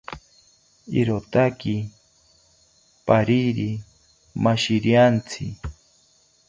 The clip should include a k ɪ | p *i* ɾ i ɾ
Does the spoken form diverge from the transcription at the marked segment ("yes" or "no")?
yes